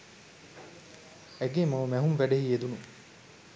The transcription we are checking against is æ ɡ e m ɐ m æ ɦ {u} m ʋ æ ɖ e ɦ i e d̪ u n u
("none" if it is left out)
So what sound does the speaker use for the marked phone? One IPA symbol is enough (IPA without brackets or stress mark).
u